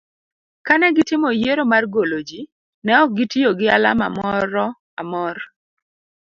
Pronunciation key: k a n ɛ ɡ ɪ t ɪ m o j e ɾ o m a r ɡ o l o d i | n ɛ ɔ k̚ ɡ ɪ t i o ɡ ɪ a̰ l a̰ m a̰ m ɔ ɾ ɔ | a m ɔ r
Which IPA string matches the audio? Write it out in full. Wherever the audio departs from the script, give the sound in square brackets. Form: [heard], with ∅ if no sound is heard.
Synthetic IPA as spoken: k a n ɛ ɡ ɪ t ɪ m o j e ɾ o m a r ɡ o l o [d͡ʒ] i | n ɛ ɔ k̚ ɡ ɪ t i o ɡ ɪ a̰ l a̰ m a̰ m ɔ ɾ ɔ | a m ɔ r